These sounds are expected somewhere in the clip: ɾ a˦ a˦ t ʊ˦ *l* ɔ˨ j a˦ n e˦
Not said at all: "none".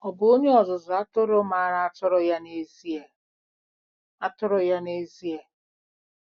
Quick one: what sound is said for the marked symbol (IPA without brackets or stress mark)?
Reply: ɾ